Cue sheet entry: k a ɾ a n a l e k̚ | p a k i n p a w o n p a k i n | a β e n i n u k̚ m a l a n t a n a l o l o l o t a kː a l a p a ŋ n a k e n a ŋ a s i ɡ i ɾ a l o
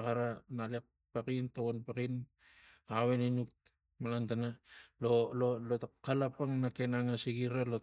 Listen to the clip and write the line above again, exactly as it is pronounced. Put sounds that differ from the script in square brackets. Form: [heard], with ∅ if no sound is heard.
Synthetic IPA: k a ɾ a n a l e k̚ | p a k i n [t] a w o n p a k i n | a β e n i n u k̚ m a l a n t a n a l o l o l o t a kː a l a p a ŋ n a k e n a ŋ a s i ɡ i ɾ a l o

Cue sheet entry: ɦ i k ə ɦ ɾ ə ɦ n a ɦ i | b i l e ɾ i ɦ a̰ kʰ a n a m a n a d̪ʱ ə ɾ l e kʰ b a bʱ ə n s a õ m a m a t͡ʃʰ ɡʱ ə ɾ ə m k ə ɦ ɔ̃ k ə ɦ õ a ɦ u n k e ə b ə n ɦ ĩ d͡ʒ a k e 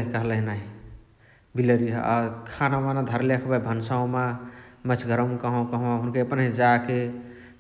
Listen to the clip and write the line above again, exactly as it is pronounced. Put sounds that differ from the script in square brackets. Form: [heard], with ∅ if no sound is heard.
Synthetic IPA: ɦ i k ə ɦ [l] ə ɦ n a ɦ i | b i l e ɾ i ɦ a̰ kʰ a n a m a n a d̪ʱ ə ɾ l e kʰ b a bʱ ə n s a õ m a m [ə] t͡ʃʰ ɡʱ ə ɾ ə m k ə ɦ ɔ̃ k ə ɦ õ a ɦ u n k e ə [p] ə n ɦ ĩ d͡ʒ a k e

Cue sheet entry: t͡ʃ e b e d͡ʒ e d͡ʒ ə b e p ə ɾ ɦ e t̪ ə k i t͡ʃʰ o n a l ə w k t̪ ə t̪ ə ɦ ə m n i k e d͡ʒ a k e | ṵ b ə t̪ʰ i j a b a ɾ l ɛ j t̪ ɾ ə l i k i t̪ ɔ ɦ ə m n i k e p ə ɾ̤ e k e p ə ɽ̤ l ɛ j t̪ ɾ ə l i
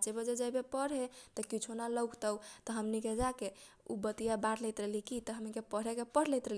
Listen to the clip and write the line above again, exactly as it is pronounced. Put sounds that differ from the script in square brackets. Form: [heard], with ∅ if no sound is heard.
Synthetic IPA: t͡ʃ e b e d͡ʒ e d͡ʒ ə b e p ə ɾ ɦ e t̪ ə k i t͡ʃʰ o n a l ə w k t̪ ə t̪ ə ɦ ə m n i k e d͡ʒ a k e | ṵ b ə [t̪] i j a b a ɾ l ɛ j t̪ ɾ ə l i k i t̪ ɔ ɦ ə m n i k e p ə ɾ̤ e k e p ə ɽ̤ l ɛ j t̪ ɾ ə l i

